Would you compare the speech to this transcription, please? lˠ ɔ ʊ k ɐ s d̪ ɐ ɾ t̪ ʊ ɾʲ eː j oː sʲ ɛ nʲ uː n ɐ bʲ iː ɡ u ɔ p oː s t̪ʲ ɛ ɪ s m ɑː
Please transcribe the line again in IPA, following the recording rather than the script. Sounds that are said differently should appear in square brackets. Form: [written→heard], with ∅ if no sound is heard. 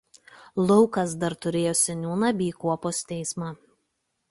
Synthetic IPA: lˠ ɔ ʊ k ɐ s d̪ ɐ ɾ t̪ ʊ ɾʲ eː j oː sʲ ɛ nʲ uː n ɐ bʲ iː [ɡ→k] u ɔ p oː s t̪ʲ ɛ ɪ s m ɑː